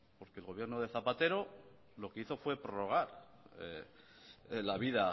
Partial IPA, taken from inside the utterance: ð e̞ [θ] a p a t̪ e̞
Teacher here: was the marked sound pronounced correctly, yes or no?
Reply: yes